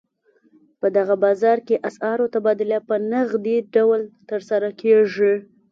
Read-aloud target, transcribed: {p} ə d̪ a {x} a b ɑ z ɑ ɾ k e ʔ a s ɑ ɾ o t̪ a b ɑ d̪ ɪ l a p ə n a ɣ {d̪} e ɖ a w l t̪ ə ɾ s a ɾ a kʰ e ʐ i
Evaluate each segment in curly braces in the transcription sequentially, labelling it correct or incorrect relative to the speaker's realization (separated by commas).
correct, incorrect, correct